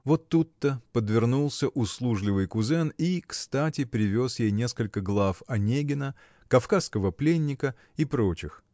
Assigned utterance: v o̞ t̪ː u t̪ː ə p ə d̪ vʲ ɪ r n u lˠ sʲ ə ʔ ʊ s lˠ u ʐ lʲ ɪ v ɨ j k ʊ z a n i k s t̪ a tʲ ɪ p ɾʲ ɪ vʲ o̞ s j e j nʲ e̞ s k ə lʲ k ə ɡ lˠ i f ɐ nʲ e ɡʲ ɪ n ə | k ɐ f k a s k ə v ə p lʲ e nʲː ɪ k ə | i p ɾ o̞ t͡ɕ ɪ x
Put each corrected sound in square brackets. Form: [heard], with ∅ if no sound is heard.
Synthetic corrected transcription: v o̞ t̪ː u t̪ː ə p ə d̪ vʲ ɪ r n u lˠ sʲ ə ʔ ʊ s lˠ u ʐ lʲ ɪ v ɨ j k ʊ z [ɛ] n i k s t̪ a tʲ ɪ p ɾʲ ɪ vʲ o̞ s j e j nʲ e̞ s k ə lʲ k ə ɡ lˠ [a] f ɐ nʲ e ɡʲ ɪ n ə | k ɐ f k a s k ə v ə p lʲ e nʲː ɪ k ə | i p ɾ o̞ t͡ɕ ɪ x